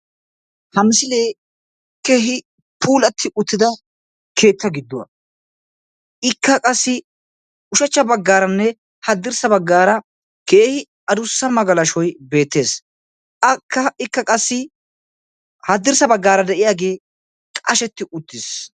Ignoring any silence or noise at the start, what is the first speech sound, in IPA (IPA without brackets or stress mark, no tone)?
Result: h